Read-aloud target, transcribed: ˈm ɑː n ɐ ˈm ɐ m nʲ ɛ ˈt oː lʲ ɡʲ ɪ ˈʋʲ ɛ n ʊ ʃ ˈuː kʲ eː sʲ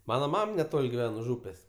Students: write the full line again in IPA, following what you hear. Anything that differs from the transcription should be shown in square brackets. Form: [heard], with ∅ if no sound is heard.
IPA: ˈm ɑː n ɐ ˈm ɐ m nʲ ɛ ˈt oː lʲ ɡʲ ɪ ˈʋʲ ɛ n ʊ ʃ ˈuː [pʲ] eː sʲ